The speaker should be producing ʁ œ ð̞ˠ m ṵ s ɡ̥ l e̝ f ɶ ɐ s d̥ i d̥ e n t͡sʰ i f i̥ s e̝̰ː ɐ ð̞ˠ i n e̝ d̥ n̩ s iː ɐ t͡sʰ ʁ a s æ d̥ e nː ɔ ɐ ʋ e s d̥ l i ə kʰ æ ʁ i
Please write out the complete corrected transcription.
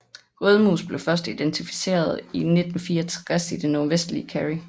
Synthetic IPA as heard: ʁ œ ð̞ˠ m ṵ s b̥ l e̝ f ɶ ɐ s d̥ i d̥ e n t͡sʰ i f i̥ s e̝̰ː ɐ ð̞ˠ i n e̝ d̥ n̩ f iː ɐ t͡sʰ ʁ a s i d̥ e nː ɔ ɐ ʋ e s d̥ l i ə kʰ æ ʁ i